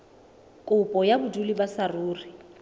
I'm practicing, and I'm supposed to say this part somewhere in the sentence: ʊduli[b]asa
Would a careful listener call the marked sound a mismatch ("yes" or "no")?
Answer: no